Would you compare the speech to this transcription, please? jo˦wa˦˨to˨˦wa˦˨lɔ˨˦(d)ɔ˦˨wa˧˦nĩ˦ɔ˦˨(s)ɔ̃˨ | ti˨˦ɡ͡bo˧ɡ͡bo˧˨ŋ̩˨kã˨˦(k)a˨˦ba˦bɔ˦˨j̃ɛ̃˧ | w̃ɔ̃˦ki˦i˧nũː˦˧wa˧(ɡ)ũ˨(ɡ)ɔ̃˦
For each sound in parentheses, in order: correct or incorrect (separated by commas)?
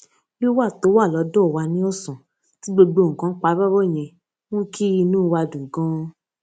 correct, correct, incorrect, incorrect, correct